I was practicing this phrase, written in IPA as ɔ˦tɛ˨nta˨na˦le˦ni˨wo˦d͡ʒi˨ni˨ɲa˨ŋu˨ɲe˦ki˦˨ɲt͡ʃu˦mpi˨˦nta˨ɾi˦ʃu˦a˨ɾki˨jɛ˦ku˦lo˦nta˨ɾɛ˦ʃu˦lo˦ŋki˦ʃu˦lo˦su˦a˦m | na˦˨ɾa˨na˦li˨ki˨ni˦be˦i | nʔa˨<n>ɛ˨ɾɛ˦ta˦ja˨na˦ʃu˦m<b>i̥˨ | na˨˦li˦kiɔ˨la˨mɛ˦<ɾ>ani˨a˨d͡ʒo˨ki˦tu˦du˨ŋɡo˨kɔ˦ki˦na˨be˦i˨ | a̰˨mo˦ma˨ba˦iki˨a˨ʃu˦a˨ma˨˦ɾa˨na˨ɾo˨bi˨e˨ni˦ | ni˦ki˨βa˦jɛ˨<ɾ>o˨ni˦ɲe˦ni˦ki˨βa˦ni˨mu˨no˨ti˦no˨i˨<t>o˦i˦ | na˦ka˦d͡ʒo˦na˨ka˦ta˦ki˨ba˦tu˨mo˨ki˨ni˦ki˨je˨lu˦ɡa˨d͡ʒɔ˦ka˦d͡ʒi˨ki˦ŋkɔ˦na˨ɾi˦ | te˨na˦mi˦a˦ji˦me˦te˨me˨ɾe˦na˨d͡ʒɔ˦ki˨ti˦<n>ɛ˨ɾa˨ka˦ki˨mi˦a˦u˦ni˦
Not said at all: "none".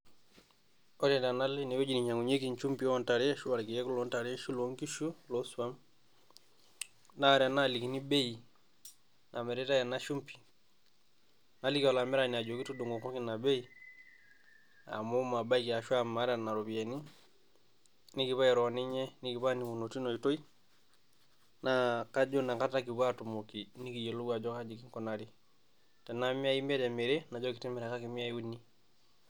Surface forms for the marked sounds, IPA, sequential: m, p, ɾ, ɾ, t, m

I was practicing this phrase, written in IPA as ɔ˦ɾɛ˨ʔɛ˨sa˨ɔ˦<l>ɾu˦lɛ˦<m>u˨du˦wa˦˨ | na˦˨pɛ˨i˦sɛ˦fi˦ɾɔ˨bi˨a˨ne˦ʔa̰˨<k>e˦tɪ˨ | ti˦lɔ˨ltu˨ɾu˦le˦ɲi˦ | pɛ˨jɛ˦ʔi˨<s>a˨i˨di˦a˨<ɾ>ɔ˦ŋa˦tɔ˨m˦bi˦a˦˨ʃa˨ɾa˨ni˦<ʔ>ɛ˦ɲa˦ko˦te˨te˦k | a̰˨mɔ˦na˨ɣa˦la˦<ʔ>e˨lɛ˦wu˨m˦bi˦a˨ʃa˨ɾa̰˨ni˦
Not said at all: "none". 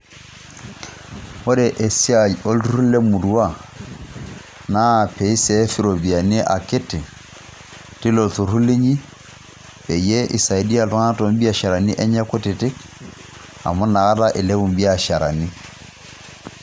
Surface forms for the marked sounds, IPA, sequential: l, m, k, s, l, ʔ, ʔ

